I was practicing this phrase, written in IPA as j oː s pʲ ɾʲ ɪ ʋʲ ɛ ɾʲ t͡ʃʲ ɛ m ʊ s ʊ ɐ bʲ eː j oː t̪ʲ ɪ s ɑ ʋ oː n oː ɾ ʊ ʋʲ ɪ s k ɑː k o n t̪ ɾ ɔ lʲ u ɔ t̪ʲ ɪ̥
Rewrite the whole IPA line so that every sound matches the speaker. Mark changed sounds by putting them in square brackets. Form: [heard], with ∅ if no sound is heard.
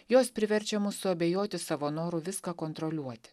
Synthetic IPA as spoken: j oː s pʲ ɾʲ ɪ ʋʲ ɛ ɾʲ t͡ʃʲ ɛ m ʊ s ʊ ɐ bʲ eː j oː t̪ʲ ɪ s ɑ ʋ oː n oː ɾ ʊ ʋʲ ɪ s k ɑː k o n t̪ ɾ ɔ lʲ u ɔ t̪ʲ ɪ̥